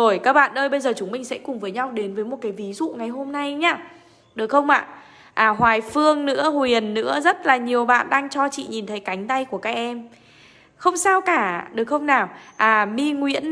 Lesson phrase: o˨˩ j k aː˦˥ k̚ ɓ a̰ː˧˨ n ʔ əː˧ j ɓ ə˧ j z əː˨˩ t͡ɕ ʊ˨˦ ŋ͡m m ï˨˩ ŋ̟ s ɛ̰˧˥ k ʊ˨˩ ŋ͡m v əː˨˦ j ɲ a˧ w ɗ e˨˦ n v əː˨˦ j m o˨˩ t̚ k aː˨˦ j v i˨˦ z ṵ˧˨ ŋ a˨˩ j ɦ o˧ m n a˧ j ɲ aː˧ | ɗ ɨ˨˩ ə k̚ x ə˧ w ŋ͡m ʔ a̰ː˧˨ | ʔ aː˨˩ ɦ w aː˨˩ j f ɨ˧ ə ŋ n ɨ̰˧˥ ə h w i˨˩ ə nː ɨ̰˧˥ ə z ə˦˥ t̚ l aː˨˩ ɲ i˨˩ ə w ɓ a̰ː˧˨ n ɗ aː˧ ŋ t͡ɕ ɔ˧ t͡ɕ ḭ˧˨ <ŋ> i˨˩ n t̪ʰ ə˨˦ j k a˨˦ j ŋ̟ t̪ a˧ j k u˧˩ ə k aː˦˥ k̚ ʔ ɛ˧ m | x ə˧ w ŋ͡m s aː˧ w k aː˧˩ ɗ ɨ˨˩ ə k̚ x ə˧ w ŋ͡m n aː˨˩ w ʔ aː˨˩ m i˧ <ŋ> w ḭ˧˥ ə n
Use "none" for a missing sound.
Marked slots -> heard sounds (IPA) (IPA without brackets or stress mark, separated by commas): ɲ, ŋ